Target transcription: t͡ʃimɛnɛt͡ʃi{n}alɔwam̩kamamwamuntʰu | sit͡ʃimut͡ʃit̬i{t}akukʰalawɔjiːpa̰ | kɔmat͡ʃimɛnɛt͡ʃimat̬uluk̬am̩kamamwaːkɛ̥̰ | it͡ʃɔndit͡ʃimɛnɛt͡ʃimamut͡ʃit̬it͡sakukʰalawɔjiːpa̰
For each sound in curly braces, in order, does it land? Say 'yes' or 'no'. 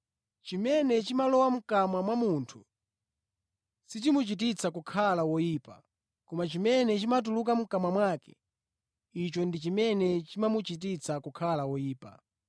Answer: no, no

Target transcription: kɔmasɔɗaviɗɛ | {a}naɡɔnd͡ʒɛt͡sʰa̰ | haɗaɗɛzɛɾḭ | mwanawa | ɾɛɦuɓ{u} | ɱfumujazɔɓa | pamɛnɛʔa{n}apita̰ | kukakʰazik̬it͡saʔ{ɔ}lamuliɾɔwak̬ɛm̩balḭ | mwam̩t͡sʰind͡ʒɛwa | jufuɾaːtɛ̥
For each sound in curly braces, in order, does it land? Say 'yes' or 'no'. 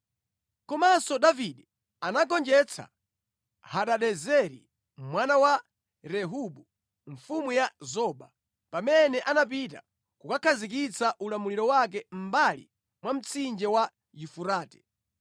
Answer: yes, yes, yes, no

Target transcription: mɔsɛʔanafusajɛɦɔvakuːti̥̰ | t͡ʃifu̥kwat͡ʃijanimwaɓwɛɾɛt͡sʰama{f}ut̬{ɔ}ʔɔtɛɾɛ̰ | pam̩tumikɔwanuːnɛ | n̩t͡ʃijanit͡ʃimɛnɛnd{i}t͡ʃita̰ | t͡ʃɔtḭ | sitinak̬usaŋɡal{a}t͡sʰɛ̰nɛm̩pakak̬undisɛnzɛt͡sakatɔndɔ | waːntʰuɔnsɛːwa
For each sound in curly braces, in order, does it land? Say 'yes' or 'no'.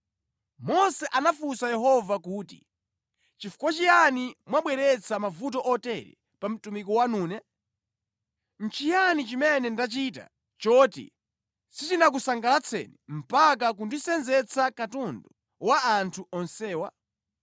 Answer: no, yes, no, yes

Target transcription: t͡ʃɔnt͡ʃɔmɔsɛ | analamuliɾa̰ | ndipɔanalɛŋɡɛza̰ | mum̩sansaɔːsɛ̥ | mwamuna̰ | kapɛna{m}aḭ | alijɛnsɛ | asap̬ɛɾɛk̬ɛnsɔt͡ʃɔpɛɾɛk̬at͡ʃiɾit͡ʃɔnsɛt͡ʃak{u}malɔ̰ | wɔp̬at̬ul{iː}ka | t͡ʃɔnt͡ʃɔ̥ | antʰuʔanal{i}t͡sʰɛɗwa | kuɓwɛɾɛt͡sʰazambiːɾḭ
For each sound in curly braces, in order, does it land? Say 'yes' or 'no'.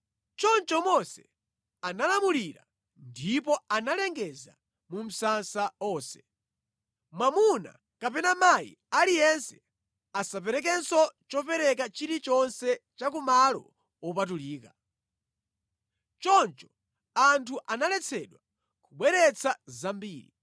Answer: yes, yes, yes, no

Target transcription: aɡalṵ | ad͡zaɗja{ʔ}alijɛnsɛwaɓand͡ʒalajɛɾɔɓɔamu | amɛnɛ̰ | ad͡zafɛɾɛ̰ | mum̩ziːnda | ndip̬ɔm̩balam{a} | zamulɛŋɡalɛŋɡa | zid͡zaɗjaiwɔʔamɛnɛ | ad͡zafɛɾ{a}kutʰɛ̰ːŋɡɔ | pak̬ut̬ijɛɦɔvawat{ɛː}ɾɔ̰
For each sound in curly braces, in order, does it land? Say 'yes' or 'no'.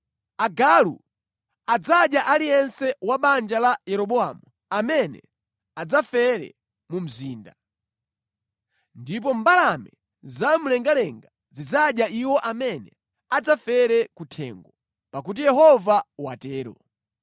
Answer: yes, no, no, yes

